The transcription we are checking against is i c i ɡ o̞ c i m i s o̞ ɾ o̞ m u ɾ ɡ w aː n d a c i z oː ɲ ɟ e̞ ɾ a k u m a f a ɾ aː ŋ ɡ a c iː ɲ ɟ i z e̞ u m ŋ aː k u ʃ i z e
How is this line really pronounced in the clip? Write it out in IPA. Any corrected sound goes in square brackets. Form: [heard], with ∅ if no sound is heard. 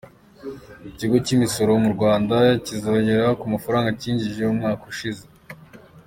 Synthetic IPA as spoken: i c i ɡ o̞ c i m i s o̞ ɾ o̞ m u ɾ ɡ w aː n d a c i z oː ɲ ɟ e̞ ɾ a k u m a f a ɾ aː ŋ ɡ a c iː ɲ ɟ i [ʒ] e̞ u m ŋ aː k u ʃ i z e

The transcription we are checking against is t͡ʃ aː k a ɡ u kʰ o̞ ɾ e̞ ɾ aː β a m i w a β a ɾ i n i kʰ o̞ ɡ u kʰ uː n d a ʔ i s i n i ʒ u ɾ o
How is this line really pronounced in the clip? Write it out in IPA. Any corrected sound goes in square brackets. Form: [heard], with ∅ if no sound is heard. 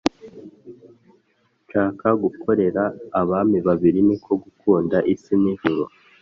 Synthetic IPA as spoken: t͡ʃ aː k a ɡ u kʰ o̞ ɾ e̞ ɾ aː β a m i [β] a β [i] ɾ i n i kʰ o̞ ɡ u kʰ uː n d a ʔ i s i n i ʒ u ɾ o

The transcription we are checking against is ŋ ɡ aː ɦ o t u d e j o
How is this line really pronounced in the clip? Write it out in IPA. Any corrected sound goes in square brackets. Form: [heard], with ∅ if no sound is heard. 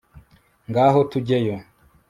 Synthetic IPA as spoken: ŋ ɡ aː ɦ o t u [ɟ] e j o

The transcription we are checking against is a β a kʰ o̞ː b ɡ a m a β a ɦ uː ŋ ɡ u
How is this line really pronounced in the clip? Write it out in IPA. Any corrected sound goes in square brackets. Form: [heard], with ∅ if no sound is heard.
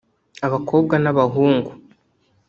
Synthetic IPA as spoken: a β a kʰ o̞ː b ɡ a [n] a β a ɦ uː ŋ ɡ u

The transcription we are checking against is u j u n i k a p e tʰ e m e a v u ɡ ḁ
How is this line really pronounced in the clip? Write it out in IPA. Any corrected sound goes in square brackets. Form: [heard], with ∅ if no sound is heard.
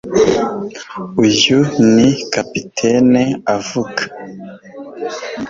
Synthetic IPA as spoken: u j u n i k a p [i] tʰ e [n] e a v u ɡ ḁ

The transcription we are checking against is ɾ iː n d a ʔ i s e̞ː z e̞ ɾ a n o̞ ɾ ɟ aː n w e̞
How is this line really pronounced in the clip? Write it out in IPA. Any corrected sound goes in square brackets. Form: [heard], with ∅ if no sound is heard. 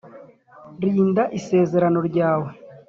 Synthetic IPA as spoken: ɾ iː n d a ʔ i s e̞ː z e̞ ɾ a n o̞ ɾ ɟ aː [∅] w e̞

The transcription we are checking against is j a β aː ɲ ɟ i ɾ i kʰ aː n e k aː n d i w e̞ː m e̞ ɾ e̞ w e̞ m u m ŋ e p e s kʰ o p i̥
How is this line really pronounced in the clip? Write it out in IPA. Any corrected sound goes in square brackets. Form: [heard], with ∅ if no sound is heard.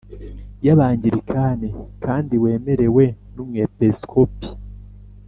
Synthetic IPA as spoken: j a β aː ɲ ɟ i ɾ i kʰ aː n e k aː n d i w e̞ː m e̞ ɾ e̞ w e̞ [n] u m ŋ e p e s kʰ o p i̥

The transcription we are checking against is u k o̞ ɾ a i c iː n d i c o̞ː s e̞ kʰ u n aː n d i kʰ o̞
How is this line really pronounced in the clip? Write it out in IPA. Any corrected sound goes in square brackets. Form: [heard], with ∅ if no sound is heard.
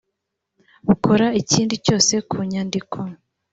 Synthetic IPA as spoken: u k o̞ ɾ a i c iː n d i c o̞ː s e̞ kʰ u [ɲ] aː n d i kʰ o̞

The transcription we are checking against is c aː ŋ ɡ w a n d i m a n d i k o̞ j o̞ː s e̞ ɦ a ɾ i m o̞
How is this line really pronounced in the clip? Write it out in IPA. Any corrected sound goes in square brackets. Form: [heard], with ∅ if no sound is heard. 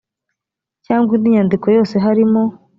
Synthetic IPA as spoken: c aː ŋ ɡ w [i] n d i [ɲ] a n d i k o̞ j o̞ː s e̞ ɦ a ɾ i m o̞

